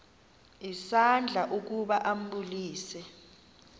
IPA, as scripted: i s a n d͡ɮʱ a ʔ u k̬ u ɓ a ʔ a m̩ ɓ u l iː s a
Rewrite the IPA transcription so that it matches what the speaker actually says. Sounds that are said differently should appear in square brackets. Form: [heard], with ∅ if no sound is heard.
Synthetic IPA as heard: i s a n d͡ɮʱ a ʔ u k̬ u ɓ a ʔ a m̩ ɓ u l iː s [ɛ]